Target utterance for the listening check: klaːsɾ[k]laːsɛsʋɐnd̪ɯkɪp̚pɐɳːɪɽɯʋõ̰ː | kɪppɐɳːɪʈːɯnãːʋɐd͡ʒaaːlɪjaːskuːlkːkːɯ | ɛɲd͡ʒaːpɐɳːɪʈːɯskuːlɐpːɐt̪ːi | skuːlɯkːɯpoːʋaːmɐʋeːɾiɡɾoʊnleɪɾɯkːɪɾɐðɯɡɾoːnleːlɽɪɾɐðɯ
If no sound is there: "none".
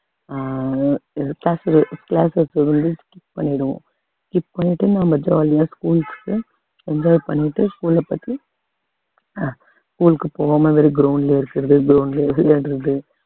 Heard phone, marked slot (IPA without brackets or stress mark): k